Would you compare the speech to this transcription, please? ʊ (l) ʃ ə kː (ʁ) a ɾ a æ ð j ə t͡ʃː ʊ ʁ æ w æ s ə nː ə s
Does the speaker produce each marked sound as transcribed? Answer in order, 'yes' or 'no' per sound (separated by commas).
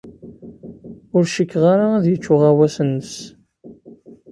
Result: no, yes